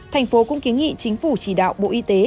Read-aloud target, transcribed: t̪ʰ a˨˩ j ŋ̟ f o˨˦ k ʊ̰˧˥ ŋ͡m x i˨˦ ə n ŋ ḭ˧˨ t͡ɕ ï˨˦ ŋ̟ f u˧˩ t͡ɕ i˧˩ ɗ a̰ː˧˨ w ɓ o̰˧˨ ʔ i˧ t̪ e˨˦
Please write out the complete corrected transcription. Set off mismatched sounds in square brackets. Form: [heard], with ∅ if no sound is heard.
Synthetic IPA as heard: t̪ʰ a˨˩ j ŋ̟ f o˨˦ k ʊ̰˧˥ ŋ͡m [k] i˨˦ ə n ŋ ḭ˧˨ t͡ɕ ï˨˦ ŋ̟ f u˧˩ t͡ɕ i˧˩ ɗ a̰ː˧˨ w ɓ o̰˧˨ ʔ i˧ t̪ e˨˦